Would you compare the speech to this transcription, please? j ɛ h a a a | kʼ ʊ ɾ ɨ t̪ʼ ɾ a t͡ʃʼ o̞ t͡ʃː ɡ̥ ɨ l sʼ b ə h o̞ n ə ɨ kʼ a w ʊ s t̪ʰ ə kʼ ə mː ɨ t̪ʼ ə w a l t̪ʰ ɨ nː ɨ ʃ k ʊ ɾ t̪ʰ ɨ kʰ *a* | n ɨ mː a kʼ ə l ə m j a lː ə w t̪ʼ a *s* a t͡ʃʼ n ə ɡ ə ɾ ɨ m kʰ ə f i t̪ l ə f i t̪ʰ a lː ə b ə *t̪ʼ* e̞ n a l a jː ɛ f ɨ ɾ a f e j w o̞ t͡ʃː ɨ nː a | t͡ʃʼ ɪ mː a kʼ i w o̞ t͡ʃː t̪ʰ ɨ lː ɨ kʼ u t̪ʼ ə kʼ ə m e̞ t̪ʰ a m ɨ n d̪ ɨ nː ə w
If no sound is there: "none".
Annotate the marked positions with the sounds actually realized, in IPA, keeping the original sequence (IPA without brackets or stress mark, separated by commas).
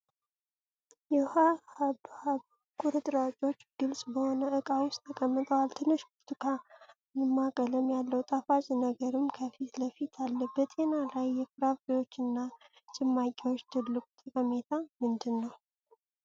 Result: a, f, t̪ʼ